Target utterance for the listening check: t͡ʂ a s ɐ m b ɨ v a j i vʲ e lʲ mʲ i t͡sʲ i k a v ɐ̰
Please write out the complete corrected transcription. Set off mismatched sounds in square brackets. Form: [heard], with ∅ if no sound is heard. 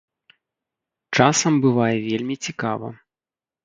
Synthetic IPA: t͡ʂ a s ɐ m b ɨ v a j [ɛ] vʲ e lʲ mʲ i t͡sʲ i k a v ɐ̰